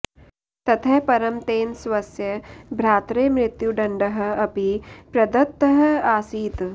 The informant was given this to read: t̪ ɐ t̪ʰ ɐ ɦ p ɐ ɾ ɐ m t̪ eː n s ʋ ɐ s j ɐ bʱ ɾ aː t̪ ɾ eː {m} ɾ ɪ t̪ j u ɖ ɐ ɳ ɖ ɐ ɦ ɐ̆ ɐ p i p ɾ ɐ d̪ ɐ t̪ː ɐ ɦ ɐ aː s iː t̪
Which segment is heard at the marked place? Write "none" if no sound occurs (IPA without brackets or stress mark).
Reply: m